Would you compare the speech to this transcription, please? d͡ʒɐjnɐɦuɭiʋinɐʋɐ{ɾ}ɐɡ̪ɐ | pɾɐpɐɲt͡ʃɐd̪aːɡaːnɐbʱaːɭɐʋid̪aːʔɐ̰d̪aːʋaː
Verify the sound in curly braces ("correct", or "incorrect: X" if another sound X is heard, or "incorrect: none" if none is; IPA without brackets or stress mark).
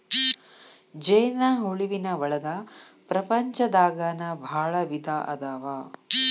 incorrect: ɭ